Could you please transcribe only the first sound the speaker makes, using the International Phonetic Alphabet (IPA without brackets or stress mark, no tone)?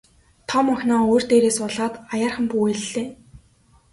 t̪ʰ